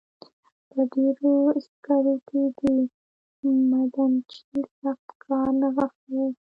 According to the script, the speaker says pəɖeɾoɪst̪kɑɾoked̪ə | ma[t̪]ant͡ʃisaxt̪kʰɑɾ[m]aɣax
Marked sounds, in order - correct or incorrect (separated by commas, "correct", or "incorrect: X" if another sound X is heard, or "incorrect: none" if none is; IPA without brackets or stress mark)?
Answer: incorrect: d̪, incorrect: n